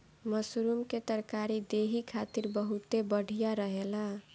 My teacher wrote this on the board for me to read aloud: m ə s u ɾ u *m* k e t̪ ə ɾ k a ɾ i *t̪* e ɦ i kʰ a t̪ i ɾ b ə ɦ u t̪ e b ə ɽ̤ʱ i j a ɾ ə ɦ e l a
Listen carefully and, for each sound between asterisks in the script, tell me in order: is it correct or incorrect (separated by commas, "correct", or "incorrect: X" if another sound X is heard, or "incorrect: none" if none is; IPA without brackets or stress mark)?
correct, incorrect: d̪